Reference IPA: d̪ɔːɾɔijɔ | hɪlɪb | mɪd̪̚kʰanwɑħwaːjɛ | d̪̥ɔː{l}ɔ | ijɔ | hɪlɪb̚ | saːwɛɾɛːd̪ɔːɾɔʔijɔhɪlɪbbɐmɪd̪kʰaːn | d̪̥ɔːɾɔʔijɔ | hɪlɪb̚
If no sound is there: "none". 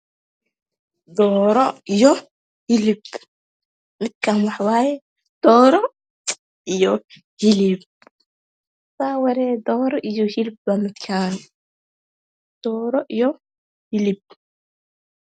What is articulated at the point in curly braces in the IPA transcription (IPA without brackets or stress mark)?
ɾ